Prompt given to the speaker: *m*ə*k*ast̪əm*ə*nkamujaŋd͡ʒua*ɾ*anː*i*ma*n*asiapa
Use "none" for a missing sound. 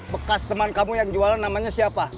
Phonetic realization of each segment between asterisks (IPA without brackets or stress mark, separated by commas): b, k, a, l, a, ɲ